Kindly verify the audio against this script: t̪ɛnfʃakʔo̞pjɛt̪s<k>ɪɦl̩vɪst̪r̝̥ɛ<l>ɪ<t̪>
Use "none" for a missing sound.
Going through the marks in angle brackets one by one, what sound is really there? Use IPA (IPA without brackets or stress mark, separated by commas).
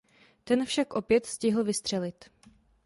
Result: c, l, t̪